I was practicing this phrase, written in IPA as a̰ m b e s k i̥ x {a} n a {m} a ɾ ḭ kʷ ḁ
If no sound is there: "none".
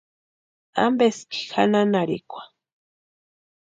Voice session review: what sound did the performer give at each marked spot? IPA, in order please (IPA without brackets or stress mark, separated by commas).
a, n